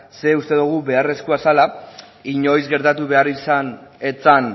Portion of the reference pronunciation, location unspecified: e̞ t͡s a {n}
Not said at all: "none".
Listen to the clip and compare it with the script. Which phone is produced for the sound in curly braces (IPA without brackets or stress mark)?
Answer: n